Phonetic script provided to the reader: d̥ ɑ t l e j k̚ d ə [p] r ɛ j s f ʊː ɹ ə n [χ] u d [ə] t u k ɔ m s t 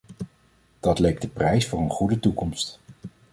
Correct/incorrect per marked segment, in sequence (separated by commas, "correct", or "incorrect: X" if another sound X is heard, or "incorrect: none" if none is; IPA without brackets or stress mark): correct, correct, correct